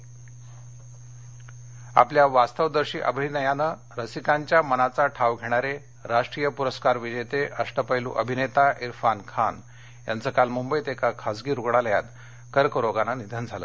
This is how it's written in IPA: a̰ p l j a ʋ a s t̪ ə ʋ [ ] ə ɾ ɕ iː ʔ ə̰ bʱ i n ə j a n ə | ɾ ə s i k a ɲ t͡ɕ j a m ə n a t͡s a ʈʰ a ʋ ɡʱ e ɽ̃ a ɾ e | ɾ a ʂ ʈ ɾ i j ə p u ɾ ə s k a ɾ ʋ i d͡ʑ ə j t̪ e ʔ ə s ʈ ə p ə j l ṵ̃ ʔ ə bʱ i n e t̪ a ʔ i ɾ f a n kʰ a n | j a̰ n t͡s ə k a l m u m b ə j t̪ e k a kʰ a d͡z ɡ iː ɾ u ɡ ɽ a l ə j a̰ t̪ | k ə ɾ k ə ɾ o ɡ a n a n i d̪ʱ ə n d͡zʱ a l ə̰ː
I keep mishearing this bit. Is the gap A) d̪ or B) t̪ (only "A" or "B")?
A